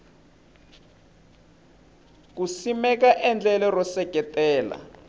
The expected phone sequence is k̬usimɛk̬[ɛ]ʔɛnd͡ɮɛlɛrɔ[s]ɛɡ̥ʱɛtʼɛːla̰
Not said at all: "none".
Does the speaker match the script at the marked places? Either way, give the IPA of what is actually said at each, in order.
a, s

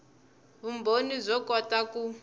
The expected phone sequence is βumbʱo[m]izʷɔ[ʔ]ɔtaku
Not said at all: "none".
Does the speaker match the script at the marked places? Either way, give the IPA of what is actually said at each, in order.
n, k

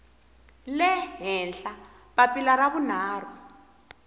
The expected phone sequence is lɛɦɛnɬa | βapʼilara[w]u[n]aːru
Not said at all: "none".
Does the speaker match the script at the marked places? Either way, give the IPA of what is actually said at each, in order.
β, n

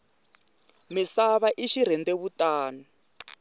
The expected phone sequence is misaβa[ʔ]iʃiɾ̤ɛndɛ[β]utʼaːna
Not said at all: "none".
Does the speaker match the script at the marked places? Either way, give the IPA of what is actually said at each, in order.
ʔ, β

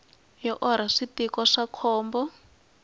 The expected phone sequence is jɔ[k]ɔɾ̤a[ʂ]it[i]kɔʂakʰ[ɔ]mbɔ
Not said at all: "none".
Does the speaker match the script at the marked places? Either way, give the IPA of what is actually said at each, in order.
ʔ, ʂ, i, ɔː

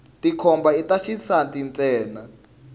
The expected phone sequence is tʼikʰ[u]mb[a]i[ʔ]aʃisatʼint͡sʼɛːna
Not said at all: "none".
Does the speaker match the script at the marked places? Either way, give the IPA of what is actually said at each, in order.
ɔ, a, t

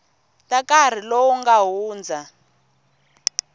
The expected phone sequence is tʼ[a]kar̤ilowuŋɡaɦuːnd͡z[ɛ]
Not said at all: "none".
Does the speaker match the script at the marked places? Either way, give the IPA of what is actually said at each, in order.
a, a

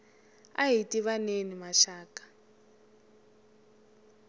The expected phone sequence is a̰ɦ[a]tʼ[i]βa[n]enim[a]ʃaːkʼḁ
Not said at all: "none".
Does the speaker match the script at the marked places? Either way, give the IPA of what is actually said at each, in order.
i, i, n, a

